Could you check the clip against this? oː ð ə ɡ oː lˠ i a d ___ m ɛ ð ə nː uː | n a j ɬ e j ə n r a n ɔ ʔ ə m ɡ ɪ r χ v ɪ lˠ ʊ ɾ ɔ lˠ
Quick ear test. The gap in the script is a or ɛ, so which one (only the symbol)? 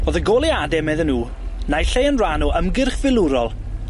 ɛ